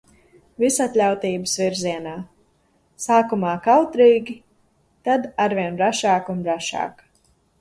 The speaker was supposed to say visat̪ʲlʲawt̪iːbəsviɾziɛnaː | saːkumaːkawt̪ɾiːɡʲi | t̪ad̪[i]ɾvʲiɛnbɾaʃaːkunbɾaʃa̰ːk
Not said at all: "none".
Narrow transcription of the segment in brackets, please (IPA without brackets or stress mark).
a